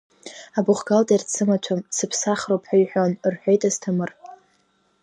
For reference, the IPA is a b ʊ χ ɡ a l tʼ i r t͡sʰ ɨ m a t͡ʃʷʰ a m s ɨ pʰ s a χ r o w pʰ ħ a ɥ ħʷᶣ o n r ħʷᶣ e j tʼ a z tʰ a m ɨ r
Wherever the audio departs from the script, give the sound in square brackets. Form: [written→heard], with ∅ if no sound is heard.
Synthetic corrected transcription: a b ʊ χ ɡ a l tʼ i r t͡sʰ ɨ m a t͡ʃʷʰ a m s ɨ pʰ s a χ r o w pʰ ħ a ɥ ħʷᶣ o n r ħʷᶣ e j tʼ a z tʰ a m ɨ r

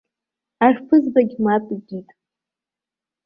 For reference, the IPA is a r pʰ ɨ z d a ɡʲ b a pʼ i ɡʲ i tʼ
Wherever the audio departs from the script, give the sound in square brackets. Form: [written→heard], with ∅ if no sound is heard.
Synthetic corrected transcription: a r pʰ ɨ z [d→b] a ɡʲ [b→m] a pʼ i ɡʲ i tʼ

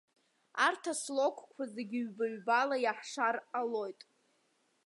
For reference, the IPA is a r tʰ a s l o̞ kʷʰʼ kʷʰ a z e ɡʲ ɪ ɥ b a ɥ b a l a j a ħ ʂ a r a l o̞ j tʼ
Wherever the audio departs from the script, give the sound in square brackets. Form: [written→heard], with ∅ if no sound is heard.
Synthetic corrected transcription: a r tʰ a s l o̞ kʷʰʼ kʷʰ a z e ɡʲ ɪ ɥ b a ɥ b a l a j a ħ ʂ a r a l o̞ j tʼ

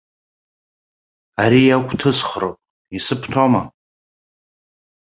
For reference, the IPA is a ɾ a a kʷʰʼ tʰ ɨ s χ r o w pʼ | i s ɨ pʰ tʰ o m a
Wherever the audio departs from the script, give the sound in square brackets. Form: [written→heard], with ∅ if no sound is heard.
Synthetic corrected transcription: a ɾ [a→i] a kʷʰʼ tʰ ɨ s χ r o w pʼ | i s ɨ pʰ tʰ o m a

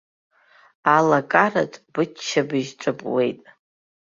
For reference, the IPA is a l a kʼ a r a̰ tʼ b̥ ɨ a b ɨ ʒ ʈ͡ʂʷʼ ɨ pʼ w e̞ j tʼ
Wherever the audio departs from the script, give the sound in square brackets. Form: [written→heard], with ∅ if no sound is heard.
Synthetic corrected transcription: a l a kʼ a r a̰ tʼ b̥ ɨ a b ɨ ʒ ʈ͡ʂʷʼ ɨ pʼ w e̞ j tʼ

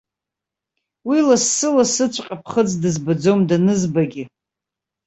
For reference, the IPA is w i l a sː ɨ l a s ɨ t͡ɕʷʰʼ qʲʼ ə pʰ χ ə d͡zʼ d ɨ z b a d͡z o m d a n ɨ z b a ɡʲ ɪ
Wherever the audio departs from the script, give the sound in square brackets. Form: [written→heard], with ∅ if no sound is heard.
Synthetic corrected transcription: w i l a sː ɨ l a s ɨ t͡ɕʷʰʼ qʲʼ [ə→a] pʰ χ ə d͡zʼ d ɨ z b a d͡z o m d a n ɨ z b a ɡʲ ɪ

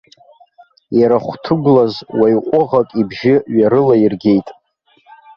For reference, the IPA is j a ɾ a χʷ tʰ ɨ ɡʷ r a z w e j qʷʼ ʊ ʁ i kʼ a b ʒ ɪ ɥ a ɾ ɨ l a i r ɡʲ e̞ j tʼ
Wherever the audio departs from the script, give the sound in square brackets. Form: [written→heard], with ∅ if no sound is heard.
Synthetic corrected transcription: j a ɾ a χʷ tʰ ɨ ɡʷ [r→l] a z w [e→a] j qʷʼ ʊ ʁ [i→a] kʼ [a→i] b ʒ ɪ ɥ a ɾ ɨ l a i r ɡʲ e̞ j tʼ

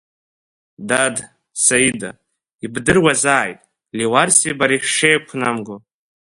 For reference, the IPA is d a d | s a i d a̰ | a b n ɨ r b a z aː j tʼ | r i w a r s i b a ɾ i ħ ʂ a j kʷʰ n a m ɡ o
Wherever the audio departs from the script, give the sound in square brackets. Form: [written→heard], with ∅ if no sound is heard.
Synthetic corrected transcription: d a d | s a i d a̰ | [a→i] b [n→d] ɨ r [b→w] a z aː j tʼ | [r→l] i w a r s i b a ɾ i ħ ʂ [a→e] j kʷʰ n a m ɡ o

